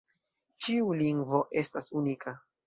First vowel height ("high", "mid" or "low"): high